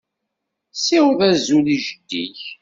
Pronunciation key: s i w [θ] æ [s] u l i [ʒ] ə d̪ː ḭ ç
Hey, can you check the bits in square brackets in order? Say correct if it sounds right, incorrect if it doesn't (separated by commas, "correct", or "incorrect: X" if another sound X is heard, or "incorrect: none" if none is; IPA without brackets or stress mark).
incorrect: ð, incorrect: z, correct